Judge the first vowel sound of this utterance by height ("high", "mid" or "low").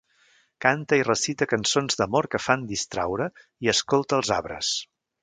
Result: low